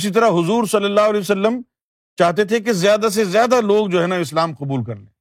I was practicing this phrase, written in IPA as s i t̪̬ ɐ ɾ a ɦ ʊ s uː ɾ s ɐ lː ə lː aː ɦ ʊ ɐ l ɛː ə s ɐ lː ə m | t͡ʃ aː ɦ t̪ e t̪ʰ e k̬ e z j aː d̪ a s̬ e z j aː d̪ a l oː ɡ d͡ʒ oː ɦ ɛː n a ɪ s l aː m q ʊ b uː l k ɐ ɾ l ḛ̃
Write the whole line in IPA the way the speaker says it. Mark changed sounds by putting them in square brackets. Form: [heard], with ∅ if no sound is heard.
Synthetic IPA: s i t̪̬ ɐ ɾ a ɦ ʊ [z] uː ɾ s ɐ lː ə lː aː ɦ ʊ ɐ l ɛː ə s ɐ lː ə m | t͡ʃ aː ɦ t̪ e t̪ʰ e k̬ e z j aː d̪ a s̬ e z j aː d̪ a l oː ɡ d͡ʒ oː ɦ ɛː n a ɪ s l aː m q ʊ b uː l k ɐ ɾ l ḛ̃